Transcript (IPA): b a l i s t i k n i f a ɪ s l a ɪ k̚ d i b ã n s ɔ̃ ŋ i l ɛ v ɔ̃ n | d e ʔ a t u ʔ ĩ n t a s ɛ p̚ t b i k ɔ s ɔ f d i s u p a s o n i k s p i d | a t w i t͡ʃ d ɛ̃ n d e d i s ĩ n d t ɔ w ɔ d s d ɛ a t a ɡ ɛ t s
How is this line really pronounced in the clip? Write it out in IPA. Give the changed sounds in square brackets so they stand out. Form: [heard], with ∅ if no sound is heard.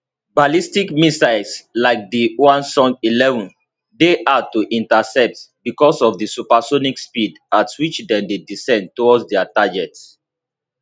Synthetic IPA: b a l i s t i k [m] i [s] a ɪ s l a ɪ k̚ d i [w] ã n s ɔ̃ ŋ i l ɛ v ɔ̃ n | d e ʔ a t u ʔ ĩ n t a s ɛ p̚ t b i k ɔ s ɔ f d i s u p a s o n i k s p i d | a t w i t͡ʃ d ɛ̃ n d e d i s [ɛ̃] n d t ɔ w ɔ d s d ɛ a t a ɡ ɛ t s